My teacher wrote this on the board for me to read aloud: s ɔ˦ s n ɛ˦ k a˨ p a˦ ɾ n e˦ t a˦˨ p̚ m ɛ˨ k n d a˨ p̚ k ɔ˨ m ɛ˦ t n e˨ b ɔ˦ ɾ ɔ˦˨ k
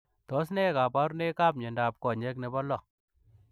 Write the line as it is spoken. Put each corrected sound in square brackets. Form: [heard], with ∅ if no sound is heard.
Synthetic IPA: [t] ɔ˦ s n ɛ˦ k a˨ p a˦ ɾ n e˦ [k] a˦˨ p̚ [ɲ] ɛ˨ [∅] n d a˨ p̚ k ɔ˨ [ɲ] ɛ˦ [k] n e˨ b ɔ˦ [l] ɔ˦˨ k